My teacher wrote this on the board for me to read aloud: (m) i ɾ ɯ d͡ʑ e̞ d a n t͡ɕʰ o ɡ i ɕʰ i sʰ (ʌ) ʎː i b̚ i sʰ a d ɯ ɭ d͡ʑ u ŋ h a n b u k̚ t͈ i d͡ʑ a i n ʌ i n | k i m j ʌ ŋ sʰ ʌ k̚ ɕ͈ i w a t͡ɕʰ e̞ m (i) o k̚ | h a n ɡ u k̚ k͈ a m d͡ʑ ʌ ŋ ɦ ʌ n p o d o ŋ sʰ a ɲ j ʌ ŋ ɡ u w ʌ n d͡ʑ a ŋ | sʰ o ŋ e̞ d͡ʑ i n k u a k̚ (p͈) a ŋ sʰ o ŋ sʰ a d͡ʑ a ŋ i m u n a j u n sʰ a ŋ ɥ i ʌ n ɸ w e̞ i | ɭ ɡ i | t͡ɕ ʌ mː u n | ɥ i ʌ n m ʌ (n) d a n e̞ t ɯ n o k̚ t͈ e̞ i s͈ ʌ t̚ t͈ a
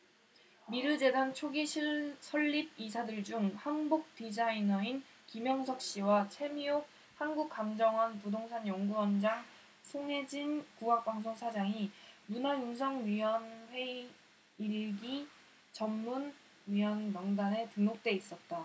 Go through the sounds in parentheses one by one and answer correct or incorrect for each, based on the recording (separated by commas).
correct, correct, correct, correct, incorrect